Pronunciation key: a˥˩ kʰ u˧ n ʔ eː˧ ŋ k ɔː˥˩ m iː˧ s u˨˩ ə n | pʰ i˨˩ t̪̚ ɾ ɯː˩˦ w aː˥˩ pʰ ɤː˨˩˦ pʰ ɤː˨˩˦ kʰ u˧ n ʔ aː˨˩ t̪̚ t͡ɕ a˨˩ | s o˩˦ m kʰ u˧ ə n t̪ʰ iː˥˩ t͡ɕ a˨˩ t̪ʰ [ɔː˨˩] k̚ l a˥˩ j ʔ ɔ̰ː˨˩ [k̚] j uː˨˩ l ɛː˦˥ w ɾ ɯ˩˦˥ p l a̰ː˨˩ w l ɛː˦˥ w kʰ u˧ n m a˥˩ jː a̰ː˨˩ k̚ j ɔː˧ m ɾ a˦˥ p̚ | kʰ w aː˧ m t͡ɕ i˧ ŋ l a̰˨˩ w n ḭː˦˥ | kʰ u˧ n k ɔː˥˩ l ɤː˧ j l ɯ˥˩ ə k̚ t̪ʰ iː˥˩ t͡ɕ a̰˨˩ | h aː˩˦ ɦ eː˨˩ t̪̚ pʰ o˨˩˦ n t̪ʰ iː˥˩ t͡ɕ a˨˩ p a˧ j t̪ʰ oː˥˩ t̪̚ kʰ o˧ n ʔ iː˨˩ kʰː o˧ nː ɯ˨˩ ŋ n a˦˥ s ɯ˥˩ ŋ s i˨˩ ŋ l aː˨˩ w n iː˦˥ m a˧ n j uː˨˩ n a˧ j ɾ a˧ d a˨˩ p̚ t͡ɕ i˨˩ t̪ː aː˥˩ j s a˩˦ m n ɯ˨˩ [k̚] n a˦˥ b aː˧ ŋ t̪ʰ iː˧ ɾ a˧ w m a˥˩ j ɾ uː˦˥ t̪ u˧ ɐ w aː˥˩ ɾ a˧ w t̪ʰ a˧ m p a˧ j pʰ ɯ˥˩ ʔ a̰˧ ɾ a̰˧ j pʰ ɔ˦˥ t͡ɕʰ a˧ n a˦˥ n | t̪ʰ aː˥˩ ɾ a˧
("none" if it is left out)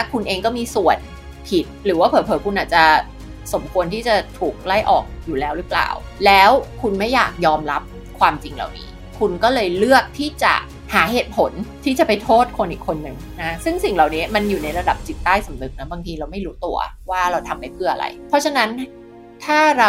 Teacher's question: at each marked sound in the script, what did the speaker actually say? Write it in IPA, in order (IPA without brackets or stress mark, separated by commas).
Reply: uː˨˩, k̚, k̚